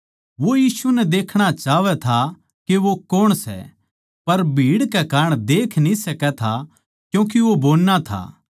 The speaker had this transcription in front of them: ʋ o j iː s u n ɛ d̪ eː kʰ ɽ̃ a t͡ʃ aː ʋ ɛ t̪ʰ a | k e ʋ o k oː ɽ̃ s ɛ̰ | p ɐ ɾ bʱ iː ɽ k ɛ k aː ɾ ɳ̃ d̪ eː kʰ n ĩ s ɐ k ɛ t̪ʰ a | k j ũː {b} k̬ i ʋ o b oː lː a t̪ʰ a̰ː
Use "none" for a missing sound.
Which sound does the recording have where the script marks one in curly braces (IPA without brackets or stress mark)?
none